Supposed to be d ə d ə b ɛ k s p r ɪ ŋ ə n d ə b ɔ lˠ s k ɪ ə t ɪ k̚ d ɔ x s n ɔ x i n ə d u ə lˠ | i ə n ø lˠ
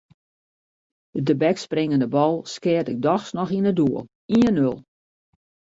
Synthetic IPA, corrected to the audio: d ə d ə b ɛ k s p r ɪ ŋ ə n d ə b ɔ lˠ s k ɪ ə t ɪ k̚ d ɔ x s n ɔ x i n ə d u ə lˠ | i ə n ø lˠ